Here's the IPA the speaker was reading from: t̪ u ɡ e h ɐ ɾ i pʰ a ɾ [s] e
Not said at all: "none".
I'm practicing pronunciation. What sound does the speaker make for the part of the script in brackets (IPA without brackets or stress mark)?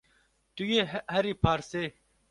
s